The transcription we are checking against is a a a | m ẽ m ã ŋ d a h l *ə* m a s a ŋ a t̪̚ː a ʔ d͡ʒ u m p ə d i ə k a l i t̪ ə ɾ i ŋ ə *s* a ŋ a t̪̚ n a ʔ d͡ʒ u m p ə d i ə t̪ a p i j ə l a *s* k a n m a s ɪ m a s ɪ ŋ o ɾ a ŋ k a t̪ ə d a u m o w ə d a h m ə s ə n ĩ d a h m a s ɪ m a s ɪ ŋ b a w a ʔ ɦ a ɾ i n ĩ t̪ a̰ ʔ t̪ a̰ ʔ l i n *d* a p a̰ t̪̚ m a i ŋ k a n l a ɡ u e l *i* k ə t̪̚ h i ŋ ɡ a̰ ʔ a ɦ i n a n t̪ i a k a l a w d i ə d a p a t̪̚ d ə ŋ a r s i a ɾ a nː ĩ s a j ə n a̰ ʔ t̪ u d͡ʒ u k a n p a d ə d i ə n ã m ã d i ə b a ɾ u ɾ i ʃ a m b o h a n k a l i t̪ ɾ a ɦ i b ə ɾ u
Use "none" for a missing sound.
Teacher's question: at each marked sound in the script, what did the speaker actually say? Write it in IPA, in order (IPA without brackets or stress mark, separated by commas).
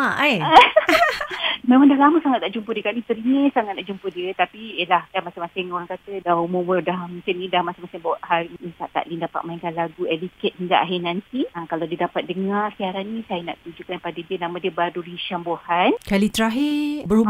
a, s, h, d, i